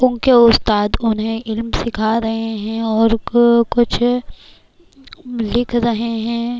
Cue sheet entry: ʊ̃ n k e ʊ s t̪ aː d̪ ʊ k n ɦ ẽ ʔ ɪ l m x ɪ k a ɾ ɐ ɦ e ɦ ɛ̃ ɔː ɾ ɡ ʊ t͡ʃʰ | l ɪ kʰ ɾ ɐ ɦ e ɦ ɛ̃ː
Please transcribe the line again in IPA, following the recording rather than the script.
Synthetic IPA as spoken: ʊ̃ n k e ʊ s t̪ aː d̪ ʊ n ɦ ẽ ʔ ɪ l m s ɪ kʰ a ɾ ɐ ɦ e ɦ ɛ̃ ɔː ɾ k ʊ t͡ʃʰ | l ɪ kʰ ɾ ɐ ɦ e ɦ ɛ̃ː